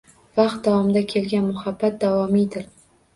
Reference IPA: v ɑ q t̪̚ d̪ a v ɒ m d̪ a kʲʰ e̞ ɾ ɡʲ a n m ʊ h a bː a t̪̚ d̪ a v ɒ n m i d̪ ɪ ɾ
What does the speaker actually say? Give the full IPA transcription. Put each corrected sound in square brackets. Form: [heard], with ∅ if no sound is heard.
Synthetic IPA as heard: v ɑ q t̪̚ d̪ a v ɒ m d̪ a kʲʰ e̞ [l] ɡʲ a n m ʊ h a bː a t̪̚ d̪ a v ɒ [∅] m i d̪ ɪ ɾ